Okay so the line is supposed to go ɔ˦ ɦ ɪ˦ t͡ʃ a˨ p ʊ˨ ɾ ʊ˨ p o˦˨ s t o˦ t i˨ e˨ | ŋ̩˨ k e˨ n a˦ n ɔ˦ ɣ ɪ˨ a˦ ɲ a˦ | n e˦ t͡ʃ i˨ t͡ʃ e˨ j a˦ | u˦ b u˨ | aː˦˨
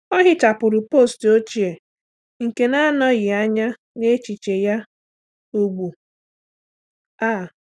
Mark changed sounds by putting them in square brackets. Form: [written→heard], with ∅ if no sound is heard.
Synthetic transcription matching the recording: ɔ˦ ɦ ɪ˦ t͡ʃ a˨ p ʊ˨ ɾ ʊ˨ p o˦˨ s t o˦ [t→t͡ʃ] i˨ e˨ | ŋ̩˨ k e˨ n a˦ n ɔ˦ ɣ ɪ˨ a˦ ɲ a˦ | n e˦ t͡ʃ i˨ t͡ʃ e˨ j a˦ | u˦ [b→ɡ͡b] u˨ | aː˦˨